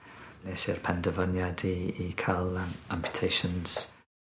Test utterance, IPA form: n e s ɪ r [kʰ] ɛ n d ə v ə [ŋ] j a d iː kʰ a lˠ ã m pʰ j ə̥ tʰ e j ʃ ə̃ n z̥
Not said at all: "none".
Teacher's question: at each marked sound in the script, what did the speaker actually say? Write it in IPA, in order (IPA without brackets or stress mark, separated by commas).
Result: pʰ, n